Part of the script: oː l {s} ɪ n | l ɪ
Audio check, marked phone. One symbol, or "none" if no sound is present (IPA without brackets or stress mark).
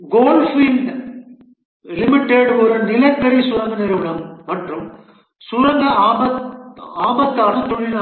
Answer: f